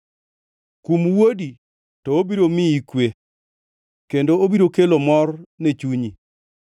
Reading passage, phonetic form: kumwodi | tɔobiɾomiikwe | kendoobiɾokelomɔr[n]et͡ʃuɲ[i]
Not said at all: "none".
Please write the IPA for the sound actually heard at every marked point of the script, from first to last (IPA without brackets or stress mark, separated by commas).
n, i